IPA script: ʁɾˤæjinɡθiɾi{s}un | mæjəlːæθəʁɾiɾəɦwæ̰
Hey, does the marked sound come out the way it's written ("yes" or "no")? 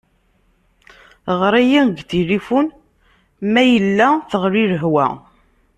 no